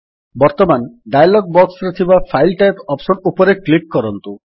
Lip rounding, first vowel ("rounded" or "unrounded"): rounded